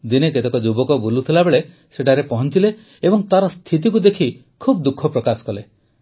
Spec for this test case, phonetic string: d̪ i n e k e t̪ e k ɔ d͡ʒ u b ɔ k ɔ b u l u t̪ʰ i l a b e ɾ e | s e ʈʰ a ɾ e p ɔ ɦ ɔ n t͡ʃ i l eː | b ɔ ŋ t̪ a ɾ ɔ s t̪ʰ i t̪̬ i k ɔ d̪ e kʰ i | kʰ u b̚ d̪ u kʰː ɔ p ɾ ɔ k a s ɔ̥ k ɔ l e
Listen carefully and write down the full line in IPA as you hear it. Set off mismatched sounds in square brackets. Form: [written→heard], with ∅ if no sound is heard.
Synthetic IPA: d̪ i n e k e t̪ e k ɔ d͡ʒ u b ɔ k ɔ b u l u t̪ʰ i l a b e [ɾ→ɭ] e | s e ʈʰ a ɾ e p ɔ ɦ ɔ n t͡ʃ i l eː | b ɔ ŋ t̪ a ɾ ɔ s t̪ʰ i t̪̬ i k [ɔ→u] d̪ e kʰ i | kʰ u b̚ d̪ u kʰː ɔ p ɾ ɔ k a s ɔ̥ k ɔ l e